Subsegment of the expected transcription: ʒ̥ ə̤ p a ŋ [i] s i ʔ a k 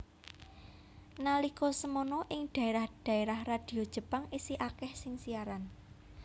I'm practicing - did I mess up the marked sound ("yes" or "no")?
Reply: no